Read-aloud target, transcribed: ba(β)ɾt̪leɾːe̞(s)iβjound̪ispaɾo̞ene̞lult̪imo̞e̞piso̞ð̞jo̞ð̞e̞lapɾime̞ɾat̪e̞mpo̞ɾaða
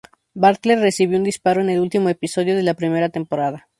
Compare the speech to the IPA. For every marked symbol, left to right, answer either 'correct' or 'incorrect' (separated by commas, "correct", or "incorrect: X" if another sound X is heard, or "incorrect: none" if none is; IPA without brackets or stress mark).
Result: incorrect: none, correct